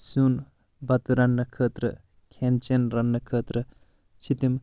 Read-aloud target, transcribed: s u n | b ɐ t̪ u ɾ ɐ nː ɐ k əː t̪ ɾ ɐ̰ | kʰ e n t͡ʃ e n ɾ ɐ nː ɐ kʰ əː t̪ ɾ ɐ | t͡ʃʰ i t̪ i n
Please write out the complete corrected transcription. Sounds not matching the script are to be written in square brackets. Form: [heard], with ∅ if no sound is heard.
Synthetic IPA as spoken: s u n | b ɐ t̪ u ɾ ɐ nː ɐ [kʰ] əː t̪ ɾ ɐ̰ | kʰ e n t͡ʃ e n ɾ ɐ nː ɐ kʰ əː t̪ ɾ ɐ | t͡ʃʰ i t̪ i [m]